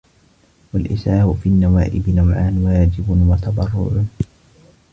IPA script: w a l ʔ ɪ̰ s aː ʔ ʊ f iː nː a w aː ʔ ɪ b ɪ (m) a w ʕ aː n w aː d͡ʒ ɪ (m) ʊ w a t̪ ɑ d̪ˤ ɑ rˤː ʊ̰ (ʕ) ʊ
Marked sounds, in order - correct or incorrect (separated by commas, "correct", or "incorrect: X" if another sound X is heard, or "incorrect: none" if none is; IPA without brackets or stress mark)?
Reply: incorrect: n, incorrect: b, correct